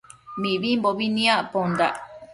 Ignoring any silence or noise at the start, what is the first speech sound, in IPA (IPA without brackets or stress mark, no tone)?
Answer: m